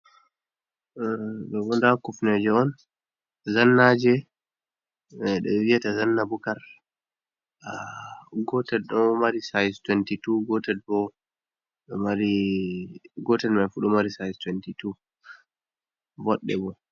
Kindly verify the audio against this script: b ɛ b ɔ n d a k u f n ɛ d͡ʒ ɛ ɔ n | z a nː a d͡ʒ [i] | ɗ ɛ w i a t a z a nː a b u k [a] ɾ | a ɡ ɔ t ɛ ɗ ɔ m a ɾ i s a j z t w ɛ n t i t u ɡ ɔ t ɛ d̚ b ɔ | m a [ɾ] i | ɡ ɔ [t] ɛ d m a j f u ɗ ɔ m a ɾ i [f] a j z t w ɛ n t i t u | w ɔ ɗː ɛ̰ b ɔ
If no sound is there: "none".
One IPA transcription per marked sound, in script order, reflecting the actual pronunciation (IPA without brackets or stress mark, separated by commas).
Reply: ɛ, a, ɾ, t, s